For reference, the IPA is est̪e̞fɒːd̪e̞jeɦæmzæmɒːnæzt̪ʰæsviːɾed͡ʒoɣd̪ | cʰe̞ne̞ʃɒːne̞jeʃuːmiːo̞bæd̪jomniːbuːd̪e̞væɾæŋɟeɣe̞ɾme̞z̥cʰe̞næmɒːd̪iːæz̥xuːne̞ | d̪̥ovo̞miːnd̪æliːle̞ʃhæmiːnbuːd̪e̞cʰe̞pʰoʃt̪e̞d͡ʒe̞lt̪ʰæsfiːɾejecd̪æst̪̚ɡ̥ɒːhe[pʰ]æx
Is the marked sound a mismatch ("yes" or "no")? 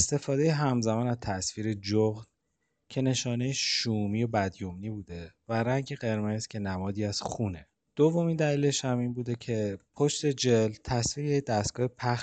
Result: no